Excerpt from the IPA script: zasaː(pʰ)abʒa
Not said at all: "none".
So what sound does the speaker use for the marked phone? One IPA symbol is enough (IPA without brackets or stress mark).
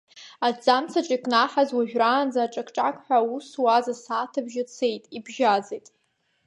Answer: tʰ